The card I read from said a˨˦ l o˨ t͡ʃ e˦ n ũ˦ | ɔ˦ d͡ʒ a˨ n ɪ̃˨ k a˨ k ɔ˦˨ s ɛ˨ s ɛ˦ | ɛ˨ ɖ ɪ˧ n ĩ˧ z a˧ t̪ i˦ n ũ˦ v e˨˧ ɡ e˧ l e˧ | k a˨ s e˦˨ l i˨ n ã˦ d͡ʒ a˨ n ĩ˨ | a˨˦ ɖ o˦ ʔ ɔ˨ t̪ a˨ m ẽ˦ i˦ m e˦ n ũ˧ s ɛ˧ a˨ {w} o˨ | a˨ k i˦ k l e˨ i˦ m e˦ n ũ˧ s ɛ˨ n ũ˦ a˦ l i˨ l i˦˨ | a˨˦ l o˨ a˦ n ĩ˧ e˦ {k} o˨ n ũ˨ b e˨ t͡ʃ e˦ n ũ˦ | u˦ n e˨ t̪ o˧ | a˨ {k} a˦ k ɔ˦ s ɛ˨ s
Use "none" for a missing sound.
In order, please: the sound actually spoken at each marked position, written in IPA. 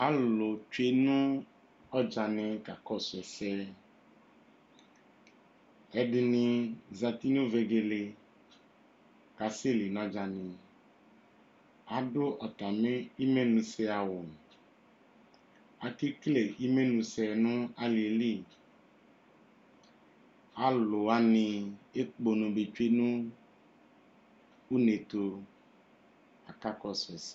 w, k͡p, k

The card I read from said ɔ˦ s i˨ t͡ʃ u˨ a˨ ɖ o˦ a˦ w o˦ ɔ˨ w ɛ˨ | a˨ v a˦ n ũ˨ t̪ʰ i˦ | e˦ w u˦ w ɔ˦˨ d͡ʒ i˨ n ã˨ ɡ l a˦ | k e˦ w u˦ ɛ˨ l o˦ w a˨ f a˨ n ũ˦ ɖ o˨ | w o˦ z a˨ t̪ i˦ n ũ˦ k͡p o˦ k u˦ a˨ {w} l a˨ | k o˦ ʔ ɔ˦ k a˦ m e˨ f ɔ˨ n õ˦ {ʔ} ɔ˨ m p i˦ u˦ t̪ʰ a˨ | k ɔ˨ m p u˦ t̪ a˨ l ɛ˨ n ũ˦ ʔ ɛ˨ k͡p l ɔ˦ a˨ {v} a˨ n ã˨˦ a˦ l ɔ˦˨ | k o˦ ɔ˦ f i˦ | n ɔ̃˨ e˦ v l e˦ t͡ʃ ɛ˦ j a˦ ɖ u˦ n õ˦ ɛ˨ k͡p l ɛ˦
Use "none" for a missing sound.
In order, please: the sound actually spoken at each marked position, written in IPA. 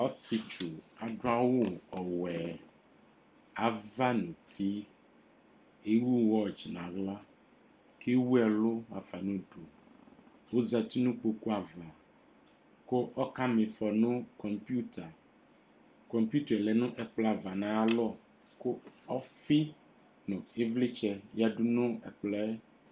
v, k, v

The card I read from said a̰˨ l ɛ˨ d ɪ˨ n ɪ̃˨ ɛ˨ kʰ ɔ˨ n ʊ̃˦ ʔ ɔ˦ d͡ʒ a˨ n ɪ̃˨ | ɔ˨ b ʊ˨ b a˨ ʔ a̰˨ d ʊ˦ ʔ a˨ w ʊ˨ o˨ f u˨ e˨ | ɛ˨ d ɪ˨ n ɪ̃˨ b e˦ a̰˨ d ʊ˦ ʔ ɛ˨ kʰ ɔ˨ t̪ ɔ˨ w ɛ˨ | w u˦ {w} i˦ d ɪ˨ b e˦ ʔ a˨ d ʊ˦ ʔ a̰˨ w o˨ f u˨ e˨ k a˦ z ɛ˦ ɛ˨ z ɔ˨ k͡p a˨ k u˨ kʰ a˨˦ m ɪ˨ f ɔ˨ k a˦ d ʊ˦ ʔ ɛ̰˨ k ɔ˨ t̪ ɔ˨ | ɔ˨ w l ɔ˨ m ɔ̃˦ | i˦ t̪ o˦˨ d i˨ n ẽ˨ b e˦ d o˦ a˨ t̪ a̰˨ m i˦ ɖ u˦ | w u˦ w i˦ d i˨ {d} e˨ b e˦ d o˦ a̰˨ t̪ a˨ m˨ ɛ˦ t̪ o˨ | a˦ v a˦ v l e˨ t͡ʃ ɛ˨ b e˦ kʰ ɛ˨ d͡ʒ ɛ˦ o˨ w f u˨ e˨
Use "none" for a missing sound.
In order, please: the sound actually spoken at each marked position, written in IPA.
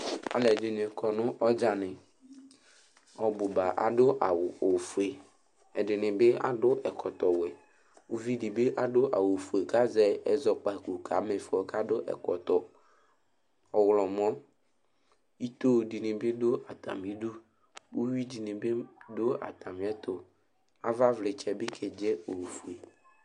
v, n

